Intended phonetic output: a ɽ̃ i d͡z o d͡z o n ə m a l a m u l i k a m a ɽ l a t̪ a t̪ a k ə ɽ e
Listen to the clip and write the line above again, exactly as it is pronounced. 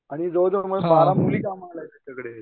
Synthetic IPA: a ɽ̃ i d͡z o d͡z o m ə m a l a m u l i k a m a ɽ l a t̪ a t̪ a k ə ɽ e